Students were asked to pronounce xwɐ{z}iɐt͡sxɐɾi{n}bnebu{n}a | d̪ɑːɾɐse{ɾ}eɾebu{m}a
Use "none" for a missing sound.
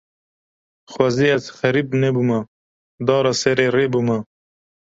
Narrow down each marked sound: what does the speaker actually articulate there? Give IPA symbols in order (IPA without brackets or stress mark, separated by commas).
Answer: z, none, m, ɾ, m